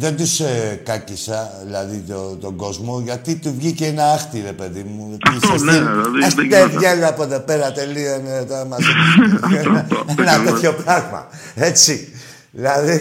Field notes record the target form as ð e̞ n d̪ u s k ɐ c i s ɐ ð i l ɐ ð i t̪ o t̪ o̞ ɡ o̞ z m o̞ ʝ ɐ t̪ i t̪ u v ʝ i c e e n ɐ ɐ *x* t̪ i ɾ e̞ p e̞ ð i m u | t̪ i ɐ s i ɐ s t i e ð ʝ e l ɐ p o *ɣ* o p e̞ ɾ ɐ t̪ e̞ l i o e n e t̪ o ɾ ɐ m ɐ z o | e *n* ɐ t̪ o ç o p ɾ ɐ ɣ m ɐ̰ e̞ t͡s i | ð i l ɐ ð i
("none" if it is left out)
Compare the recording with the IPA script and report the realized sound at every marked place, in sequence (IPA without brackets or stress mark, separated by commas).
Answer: x, ð, n